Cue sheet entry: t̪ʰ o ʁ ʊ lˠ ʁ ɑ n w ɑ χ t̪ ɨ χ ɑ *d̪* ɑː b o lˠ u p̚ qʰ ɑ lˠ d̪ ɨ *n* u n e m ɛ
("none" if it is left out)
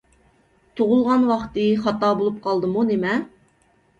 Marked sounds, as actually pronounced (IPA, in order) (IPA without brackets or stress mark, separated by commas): t̪, m